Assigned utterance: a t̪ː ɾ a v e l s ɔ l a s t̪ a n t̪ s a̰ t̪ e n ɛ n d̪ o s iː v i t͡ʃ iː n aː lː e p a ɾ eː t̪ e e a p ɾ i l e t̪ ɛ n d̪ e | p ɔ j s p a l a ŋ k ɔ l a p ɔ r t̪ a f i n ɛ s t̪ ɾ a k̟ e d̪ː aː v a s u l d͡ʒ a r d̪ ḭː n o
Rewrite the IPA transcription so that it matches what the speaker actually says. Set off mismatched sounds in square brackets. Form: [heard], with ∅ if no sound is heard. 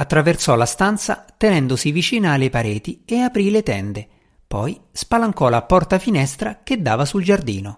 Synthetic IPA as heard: a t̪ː ɾ a v e [r] s ɔ l a s t̪ a n t̪ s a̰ t̪ e n ɛ n d̪ o s [i] v i t͡ʃ iː n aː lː e p a ɾ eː t̪ [i] e a p ɾ i l e t̪ ɛ n d̪ e | p ɔ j s p a l a ŋ k ɔ l a p ɔ r t̪ a f i n ɛ s t̪ ɾ a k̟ e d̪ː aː v a s u l d͡ʒ a r d̪ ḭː n o